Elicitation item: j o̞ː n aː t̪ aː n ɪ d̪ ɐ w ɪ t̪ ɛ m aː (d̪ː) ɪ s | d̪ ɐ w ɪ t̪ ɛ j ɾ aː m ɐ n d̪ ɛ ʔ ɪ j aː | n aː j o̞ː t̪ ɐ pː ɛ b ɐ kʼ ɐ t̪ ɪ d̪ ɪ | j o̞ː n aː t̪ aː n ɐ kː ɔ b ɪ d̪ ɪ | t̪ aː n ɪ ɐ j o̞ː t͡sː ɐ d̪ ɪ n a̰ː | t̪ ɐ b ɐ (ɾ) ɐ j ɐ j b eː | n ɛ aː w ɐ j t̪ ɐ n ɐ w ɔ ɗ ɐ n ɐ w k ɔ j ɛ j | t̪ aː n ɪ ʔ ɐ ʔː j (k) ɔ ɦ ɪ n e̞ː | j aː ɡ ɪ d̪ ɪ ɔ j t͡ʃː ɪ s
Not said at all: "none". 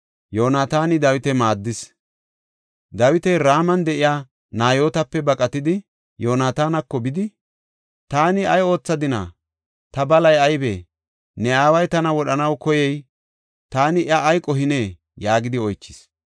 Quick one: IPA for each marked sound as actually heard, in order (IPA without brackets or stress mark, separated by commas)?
d̪ː, l, kʼ